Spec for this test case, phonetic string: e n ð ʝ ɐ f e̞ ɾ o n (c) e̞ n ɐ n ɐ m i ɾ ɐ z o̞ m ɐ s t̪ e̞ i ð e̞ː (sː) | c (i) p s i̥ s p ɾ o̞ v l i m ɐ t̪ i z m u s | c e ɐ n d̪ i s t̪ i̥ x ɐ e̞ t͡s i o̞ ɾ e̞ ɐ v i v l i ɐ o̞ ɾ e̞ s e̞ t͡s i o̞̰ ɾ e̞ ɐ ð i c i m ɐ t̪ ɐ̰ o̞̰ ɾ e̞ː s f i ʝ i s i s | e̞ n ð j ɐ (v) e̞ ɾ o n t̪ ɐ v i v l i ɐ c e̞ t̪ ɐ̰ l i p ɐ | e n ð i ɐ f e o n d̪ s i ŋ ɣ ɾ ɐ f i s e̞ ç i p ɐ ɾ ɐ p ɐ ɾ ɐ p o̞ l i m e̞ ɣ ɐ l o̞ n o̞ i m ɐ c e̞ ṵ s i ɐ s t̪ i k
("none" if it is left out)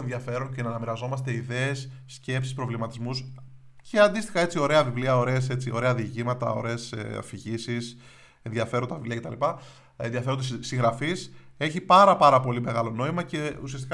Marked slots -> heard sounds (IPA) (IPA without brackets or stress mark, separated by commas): c, sː, e, f